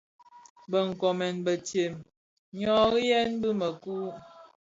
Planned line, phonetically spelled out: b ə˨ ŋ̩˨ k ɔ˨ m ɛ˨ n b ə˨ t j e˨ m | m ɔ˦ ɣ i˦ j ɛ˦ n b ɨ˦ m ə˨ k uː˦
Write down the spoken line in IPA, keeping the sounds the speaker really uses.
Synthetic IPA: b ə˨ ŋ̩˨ k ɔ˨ m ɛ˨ n b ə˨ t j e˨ m | ɲ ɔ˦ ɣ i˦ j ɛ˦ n b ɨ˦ m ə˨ k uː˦